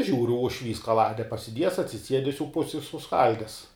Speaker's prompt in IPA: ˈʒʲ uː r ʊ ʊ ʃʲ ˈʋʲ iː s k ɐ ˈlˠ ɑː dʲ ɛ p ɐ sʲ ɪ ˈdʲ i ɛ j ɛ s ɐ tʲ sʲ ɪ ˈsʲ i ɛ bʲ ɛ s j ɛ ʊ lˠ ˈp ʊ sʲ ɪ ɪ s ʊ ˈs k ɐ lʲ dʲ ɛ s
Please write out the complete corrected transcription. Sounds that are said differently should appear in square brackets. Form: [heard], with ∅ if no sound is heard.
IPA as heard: ˈʒʲ uː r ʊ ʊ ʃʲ ˈʋʲ iː s k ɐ ˈlˠ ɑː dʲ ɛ p ɐ sʲ ɪ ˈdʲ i ɛ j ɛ s ɐ tʲ sʲ ɪ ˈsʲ i ɛ [dʲ] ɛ s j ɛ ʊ [∅] ˈp ʊ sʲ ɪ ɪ s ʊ ˈs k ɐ lʲ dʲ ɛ s